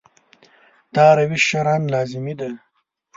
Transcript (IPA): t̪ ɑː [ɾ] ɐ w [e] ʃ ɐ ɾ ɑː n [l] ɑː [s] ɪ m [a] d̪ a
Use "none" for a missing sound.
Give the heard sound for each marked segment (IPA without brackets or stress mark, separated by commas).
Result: ɾ, i, l, z, i